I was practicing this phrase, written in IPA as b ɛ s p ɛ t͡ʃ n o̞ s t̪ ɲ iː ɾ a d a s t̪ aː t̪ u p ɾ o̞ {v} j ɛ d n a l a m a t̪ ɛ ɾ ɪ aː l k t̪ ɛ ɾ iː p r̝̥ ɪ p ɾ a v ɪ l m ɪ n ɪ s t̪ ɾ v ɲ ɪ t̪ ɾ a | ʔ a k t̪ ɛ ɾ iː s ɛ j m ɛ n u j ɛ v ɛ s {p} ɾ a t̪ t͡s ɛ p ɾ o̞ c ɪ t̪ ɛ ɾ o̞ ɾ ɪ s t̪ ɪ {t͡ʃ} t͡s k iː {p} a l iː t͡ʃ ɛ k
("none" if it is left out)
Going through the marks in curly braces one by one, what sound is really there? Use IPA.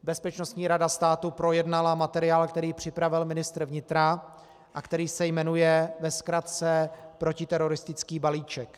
none, k, none, b

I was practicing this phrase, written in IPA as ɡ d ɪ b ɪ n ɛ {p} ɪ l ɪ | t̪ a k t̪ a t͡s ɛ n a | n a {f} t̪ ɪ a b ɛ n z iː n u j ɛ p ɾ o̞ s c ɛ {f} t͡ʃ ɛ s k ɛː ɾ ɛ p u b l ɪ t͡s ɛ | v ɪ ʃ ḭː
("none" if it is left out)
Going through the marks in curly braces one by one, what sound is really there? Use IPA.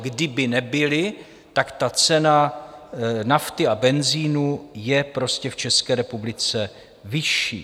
b, f, f

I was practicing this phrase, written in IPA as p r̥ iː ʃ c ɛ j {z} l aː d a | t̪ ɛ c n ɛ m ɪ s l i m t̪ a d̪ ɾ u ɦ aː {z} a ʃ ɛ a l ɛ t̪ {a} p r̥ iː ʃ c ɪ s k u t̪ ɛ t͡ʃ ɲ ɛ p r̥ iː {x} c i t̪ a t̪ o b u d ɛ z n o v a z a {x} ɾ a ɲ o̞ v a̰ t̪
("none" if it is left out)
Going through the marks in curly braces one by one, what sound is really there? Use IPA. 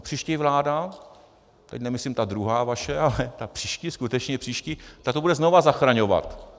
v, v, a, ʃ, x

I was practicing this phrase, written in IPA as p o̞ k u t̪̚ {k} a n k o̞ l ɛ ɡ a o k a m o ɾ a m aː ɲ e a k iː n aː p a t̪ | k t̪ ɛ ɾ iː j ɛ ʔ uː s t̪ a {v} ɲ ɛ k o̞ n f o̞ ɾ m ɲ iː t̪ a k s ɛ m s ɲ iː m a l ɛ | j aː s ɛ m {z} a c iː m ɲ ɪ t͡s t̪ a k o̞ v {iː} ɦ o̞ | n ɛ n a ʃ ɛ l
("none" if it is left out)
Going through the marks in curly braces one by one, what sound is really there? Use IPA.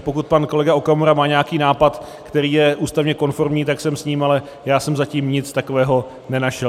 p, v, z, ɛː

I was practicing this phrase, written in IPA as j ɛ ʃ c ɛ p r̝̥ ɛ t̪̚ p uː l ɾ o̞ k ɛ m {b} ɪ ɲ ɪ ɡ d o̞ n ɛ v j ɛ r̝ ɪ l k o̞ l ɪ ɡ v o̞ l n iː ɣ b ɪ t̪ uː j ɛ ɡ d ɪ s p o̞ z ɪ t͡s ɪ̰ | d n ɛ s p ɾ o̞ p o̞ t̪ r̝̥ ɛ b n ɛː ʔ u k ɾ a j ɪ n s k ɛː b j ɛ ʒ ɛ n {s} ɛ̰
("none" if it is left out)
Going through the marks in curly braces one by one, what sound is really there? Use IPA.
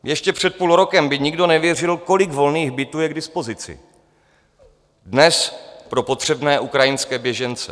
b, t͡s

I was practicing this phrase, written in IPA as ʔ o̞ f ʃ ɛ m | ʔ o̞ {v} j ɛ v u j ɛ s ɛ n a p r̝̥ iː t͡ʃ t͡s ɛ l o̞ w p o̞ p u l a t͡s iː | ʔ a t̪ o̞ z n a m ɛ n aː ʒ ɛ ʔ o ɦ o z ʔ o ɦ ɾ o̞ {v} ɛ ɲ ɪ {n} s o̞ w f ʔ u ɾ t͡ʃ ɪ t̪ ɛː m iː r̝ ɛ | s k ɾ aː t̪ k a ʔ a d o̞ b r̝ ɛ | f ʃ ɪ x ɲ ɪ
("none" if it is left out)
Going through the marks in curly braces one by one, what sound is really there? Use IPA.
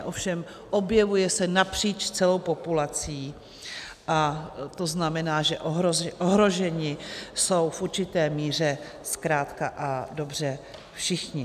b, ʒ, none

